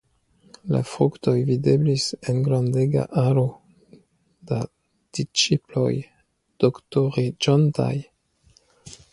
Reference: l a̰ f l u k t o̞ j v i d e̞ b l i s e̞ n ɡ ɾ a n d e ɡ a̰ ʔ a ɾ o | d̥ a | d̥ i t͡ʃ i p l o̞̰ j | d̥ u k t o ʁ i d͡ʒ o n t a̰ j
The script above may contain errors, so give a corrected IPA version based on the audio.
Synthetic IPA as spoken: l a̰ f ɾ u k t o̞ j v i d e̞ b l i s e̞ n ɡ ɾ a n d e ɡ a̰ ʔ a ɾ o | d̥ a | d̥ i t͡ʃ i p l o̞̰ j | d̥ o k t o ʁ i d͡ʒ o n t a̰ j